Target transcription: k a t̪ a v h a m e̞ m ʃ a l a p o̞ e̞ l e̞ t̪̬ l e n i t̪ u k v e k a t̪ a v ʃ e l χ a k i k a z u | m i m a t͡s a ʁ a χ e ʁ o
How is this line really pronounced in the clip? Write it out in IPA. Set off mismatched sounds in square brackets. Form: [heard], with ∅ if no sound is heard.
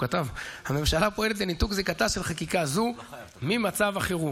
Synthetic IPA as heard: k a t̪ a v h a m e̞ m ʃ a l a p o̞ e̞ l e̞ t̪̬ l e n i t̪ u k [z] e k a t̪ a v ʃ e l χ a k i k a z u | m i m a t͡s a [v] a χ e ʁ [u]